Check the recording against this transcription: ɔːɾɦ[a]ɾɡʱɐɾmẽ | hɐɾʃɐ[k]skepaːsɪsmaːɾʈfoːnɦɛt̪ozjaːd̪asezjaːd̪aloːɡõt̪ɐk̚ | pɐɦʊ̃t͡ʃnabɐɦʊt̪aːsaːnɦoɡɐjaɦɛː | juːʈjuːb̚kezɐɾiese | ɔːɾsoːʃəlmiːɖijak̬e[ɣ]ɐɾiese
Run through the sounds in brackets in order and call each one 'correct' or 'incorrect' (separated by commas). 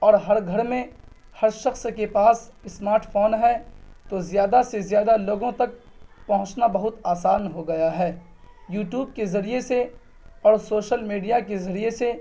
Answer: incorrect, incorrect, incorrect